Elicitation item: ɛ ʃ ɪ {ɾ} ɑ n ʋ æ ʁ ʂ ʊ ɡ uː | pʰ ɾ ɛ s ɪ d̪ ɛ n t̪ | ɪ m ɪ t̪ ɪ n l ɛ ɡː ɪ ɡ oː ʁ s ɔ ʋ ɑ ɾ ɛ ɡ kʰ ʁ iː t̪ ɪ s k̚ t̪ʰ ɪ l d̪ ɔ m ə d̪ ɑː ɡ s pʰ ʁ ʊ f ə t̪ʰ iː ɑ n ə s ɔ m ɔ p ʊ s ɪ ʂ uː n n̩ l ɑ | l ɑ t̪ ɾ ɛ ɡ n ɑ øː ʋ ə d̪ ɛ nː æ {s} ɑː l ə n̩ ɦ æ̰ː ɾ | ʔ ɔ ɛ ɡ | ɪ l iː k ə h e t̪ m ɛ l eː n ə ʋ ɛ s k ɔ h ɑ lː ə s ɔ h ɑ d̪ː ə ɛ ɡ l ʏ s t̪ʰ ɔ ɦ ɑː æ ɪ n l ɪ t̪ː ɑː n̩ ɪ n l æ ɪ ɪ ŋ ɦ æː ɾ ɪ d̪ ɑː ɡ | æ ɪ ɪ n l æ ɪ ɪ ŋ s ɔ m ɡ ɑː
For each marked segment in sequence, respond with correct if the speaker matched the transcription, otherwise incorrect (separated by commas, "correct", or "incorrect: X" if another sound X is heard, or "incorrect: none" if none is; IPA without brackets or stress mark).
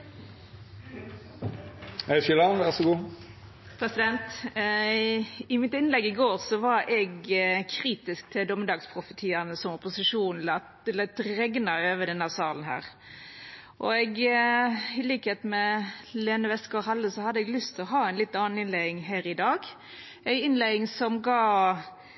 incorrect: l, correct